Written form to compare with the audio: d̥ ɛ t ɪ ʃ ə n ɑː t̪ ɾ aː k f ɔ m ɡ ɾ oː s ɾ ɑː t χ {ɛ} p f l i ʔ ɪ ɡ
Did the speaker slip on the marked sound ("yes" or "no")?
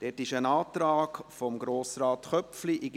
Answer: yes